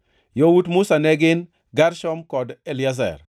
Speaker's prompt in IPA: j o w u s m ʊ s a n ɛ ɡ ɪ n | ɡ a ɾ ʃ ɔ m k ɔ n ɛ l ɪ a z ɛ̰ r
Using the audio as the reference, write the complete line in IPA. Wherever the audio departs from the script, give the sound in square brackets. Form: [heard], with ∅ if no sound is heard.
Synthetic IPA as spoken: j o w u [t] m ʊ s a n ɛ ɡ ɪ n | ɡ a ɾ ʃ ɔ m k ɔ [d] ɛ l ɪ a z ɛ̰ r